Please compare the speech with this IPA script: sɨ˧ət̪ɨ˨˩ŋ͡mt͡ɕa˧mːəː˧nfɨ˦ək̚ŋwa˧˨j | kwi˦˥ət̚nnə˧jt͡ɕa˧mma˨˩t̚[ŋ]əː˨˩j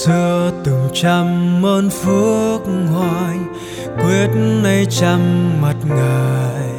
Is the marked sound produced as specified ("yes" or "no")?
yes